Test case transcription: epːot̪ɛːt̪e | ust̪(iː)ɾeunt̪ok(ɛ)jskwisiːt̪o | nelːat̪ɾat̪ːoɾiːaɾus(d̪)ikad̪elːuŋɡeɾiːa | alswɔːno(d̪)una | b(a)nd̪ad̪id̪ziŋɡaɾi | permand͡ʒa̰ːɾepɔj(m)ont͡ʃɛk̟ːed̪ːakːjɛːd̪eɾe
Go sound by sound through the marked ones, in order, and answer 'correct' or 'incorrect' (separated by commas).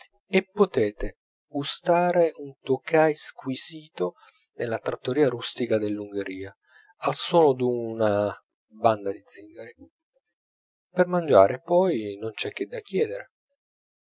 incorrect, incorrect, incorrect, correct, correct, incorrect